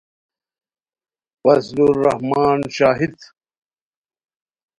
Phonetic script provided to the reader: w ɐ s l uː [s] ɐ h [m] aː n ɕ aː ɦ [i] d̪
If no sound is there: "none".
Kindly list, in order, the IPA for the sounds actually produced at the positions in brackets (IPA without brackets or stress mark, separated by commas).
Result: none, m, i